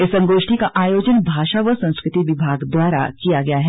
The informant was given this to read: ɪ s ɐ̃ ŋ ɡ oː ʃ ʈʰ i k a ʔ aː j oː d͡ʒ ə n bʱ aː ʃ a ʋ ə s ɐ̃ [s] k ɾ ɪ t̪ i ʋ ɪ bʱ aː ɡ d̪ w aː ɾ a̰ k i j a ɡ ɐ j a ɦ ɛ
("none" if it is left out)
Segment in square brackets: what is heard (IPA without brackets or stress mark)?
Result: s